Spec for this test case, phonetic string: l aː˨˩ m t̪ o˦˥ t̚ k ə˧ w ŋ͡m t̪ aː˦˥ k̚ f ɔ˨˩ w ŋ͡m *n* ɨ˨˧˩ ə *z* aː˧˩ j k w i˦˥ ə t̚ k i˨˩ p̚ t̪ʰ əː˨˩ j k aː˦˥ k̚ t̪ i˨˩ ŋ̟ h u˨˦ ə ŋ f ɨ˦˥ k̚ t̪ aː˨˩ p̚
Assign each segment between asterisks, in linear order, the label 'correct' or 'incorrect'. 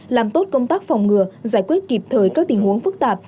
incorrect: ŋ, correct

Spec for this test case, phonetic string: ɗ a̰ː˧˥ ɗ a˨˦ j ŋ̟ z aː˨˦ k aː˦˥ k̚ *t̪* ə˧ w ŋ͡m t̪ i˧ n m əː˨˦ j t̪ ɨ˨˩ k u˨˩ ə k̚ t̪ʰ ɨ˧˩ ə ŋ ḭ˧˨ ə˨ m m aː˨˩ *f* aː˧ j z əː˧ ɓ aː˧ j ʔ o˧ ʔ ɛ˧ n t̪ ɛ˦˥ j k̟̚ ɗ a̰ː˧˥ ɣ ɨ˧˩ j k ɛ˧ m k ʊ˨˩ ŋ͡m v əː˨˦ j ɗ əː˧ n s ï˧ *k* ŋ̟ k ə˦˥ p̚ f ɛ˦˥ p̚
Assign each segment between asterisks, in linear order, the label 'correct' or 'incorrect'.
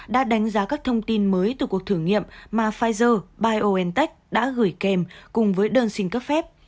incorrect: t̪ʰ, correct, incorrect: none

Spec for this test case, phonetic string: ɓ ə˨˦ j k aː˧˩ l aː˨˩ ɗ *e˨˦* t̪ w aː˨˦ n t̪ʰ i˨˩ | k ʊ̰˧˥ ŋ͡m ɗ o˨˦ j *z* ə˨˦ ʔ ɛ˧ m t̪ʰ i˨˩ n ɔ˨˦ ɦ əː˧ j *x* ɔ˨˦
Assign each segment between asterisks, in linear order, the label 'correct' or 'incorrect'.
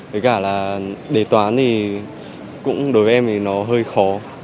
incorrect: e˧˩, incorrect: v, correct

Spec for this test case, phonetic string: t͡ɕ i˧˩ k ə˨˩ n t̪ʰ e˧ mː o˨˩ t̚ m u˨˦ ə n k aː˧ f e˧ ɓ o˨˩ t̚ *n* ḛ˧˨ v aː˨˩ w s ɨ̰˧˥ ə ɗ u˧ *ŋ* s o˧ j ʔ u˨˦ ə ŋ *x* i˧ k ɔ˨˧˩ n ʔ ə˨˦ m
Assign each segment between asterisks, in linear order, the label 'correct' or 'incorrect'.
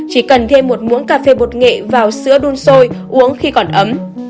incorrect: ŋ, incorrect: n, correct

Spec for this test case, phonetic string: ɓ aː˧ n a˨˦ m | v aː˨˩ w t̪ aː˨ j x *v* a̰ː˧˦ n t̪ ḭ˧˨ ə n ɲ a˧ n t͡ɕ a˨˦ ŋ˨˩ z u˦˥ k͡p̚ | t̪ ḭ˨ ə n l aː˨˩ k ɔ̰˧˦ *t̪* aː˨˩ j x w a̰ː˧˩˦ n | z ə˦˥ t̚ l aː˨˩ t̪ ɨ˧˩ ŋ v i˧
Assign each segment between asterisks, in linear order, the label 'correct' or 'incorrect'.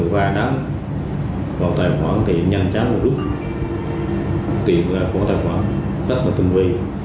incorrect: w, correct

